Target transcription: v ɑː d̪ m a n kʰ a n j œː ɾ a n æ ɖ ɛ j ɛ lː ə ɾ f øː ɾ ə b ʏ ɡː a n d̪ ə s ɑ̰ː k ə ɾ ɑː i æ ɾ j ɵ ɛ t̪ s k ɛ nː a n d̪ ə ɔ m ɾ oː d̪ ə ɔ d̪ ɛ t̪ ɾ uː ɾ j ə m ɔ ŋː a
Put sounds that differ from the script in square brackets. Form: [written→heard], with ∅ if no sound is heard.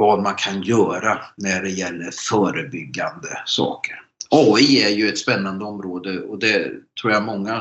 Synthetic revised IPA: v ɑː d̪ m a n kʰ a n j œː ɾ a n æ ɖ ɛ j ɛ lː ə ɾ f [øː→œː] ɾ ə b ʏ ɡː a n d̪ ə s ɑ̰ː k ə ɾ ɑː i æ ɾ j ɵ ɛ t̪ s [k→p] ɛ nː a n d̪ ə ɔ m ɾ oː d̪ ə ɔ d̪ ɛ [t̪→t̪ʰ] ɾ uː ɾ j [ə→a] m ɔ ŋː a